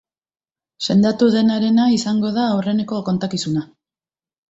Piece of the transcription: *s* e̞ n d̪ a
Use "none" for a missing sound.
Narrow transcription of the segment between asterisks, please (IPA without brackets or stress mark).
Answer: s